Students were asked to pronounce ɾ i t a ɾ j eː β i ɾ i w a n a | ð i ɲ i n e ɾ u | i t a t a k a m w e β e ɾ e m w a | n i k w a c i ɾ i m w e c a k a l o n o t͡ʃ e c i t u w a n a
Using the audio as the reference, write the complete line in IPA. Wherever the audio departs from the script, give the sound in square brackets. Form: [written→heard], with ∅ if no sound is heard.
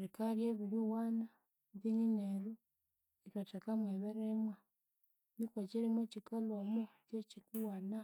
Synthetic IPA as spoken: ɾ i [t→k] a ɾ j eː β i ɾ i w a n a | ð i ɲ i n e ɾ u | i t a t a k a m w e β e ɾ e m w a | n i k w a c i ɾ i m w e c [a→i] k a l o [n→m] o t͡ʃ e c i [t→k] u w a n a